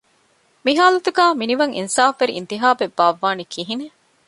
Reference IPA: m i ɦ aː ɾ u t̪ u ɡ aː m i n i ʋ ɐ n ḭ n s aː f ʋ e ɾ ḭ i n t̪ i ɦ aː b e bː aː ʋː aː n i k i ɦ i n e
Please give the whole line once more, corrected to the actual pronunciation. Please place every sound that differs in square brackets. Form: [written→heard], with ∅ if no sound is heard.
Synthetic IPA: m i ɦ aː [ɾ→l] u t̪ u ɡ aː m i n i ʋ ɐ [n→ŋ] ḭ n s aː f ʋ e ɾ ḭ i n t̪ i ɦ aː b e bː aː ʋː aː n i k i ɦ i n e